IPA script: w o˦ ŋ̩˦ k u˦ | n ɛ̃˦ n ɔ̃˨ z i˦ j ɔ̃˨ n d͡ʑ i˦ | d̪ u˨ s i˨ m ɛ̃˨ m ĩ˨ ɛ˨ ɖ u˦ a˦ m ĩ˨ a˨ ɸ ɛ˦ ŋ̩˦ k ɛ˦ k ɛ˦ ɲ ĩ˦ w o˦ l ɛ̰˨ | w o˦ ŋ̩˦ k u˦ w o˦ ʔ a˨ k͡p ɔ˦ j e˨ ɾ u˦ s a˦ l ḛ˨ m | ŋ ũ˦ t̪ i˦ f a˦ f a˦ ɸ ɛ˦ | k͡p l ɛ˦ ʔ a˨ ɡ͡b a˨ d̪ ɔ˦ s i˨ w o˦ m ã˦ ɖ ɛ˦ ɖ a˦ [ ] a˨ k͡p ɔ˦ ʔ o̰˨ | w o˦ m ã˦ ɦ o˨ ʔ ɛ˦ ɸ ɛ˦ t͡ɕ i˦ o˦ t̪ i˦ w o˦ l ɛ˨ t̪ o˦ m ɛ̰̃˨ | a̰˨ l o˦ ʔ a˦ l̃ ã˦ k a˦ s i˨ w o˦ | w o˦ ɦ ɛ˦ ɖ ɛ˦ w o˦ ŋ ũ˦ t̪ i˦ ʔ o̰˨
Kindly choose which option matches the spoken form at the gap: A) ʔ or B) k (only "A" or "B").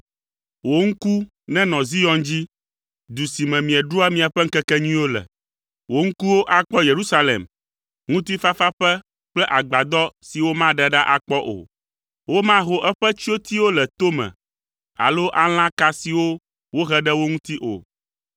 A